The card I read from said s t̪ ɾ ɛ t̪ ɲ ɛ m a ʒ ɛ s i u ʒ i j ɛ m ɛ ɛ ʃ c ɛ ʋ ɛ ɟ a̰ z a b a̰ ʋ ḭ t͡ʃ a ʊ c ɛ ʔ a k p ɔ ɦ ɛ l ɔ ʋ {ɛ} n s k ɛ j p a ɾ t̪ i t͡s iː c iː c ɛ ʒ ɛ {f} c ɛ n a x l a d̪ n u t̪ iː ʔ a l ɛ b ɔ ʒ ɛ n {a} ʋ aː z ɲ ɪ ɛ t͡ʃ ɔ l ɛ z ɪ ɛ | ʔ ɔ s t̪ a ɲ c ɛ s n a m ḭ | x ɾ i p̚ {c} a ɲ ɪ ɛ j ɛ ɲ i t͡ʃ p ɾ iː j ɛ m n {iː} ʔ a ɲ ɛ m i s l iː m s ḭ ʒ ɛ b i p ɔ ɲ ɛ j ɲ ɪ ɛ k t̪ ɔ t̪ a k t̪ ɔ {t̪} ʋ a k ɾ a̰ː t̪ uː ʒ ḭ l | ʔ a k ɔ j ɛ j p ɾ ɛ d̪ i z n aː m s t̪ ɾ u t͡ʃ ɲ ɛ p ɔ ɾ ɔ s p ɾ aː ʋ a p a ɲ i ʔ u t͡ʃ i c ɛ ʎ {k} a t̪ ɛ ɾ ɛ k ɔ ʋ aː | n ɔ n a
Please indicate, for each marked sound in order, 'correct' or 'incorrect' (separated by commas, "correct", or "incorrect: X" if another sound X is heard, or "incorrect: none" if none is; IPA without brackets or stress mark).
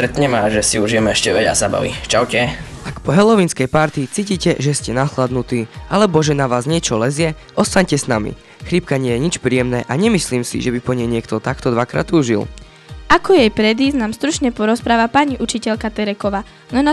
incorrect: i, incorrect: s, correct, incorrect: k, incorrect: ɛː, incorrect: d̪, correct